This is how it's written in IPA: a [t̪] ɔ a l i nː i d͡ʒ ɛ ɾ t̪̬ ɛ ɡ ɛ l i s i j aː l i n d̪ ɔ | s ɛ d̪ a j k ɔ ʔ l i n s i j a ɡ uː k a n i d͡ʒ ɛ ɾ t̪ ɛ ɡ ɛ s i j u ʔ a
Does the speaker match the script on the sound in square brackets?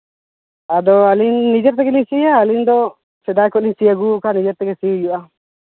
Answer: no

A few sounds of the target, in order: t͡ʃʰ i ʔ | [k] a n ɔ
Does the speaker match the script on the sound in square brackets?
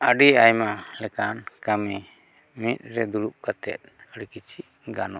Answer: no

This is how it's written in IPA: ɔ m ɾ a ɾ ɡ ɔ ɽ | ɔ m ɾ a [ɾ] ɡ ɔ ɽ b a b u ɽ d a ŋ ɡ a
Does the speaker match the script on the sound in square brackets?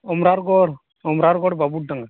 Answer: yes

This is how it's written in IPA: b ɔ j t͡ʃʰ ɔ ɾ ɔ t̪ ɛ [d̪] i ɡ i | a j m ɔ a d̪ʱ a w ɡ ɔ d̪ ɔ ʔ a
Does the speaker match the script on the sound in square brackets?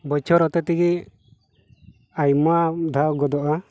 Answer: no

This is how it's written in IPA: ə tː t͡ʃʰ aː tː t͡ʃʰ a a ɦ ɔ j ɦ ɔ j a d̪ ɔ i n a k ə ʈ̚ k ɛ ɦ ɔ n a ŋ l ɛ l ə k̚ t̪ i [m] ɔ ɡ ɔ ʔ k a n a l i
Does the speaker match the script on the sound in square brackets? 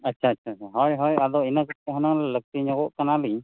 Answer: no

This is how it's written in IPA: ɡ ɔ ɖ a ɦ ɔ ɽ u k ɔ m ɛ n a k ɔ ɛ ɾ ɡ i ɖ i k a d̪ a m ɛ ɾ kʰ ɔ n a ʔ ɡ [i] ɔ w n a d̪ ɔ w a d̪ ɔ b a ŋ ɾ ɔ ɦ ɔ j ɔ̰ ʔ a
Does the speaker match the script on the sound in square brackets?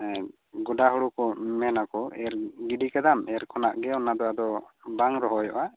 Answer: no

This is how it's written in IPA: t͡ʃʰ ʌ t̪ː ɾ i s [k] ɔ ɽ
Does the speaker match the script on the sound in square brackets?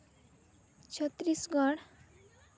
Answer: no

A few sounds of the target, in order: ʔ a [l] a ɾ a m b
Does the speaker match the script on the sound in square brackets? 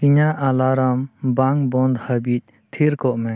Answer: yes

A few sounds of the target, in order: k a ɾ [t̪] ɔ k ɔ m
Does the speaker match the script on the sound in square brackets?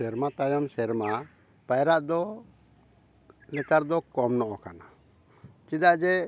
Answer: no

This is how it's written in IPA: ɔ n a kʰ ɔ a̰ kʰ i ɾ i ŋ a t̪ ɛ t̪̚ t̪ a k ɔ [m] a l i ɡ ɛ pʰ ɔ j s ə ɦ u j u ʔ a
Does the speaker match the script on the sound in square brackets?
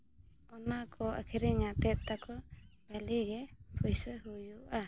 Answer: no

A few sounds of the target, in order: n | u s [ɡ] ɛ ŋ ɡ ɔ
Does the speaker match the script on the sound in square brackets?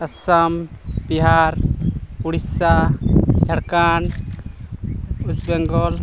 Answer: no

